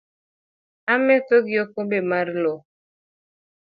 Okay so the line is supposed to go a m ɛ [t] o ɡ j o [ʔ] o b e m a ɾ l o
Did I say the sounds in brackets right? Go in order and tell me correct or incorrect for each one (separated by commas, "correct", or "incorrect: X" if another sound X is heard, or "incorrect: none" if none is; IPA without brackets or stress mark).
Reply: correct, incorrect: k